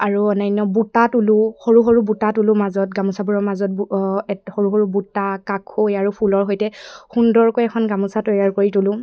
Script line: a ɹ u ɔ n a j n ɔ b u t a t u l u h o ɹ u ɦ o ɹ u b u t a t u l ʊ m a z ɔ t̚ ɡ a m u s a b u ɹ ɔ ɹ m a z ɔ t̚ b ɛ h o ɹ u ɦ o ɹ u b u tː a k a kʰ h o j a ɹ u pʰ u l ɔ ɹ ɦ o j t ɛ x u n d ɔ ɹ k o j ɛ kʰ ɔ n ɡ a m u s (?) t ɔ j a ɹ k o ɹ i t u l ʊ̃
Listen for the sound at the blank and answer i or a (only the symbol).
a